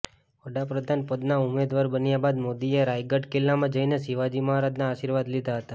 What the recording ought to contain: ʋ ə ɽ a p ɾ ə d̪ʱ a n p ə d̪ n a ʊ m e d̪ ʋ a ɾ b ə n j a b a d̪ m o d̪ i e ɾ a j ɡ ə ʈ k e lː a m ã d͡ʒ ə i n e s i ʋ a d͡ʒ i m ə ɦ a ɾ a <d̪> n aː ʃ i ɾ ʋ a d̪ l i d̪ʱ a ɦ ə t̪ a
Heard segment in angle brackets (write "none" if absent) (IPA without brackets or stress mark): d̪